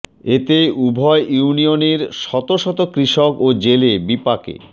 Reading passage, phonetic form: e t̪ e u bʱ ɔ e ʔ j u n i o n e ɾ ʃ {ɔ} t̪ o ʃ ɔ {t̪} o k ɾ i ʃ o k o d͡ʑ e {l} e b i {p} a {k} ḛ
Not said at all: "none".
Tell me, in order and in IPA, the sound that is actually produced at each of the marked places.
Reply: ɔ, t̪, l, p, k

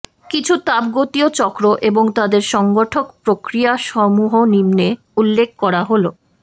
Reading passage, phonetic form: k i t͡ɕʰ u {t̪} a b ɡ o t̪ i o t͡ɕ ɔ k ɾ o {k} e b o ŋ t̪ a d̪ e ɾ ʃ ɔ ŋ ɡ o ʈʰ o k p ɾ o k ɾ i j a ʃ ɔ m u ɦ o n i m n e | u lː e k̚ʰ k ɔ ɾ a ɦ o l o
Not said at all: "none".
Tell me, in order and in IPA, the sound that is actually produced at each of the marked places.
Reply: t̪, ʔ

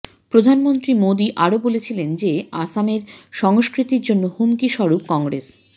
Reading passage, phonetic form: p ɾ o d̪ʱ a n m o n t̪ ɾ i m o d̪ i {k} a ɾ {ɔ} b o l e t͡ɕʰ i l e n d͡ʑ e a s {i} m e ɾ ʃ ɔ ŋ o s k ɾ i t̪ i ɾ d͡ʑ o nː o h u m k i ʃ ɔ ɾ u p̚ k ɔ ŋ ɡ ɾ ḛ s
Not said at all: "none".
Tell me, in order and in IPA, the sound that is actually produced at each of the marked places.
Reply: ʔ, o, a

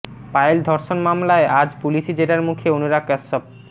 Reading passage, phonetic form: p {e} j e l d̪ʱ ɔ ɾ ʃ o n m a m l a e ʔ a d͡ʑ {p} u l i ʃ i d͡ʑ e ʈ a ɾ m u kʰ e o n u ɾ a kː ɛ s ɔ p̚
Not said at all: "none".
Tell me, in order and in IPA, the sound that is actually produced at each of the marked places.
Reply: a, p

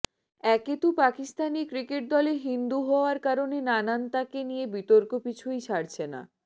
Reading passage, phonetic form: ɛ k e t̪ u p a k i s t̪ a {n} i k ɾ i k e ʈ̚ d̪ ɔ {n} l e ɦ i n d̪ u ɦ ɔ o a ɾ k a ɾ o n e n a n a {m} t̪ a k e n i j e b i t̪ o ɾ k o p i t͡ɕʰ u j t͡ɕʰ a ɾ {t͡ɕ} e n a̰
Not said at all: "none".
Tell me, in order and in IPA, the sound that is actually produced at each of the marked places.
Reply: n, none, n, t͡ɕʰ

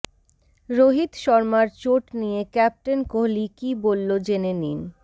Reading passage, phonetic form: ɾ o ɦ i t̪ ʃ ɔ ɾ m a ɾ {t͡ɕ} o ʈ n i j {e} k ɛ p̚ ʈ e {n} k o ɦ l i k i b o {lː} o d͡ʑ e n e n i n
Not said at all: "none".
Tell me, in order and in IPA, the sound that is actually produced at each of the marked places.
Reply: t͡ɕ, e, n, lː

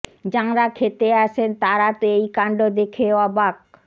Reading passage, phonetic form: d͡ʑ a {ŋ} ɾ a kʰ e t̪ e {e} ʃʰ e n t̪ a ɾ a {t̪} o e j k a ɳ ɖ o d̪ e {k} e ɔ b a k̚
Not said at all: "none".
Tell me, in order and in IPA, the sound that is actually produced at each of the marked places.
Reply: ŋ, a, t̪, kʰ

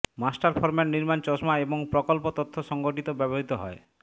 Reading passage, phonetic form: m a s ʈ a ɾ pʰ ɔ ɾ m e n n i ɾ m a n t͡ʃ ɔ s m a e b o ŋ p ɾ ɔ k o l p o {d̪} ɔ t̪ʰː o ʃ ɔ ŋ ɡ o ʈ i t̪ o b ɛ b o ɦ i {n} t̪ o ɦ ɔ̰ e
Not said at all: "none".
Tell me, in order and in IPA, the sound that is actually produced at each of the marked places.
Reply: t̪, none

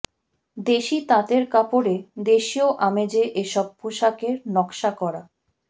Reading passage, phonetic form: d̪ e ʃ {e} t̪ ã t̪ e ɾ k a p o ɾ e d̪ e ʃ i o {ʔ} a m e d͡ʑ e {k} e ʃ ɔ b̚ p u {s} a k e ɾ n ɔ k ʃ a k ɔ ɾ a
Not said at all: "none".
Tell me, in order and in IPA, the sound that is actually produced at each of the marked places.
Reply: i, ʔ, ʔ, ʃ

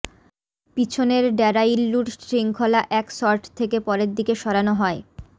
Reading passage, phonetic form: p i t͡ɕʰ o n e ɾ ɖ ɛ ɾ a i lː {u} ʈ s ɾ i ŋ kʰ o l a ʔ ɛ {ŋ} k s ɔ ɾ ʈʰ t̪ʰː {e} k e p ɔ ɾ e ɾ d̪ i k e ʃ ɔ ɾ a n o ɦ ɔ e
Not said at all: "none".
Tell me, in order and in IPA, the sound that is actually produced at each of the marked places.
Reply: u, none, e

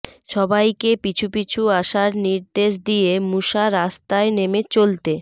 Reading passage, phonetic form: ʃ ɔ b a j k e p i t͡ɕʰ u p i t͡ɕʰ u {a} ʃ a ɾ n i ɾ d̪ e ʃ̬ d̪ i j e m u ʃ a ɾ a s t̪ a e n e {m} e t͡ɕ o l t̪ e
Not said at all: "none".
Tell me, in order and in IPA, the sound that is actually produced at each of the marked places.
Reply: a, m

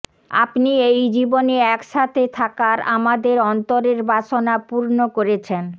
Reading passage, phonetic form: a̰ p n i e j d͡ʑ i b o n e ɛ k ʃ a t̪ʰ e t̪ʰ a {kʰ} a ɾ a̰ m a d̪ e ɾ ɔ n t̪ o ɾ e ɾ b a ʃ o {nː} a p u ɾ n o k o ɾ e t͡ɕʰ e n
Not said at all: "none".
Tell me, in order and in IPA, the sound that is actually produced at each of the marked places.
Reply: k, n

